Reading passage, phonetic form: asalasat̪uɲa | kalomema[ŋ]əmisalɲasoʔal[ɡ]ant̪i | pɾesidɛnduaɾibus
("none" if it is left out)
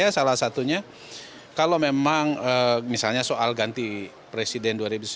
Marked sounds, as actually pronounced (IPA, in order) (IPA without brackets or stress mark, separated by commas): ŋ, ɡ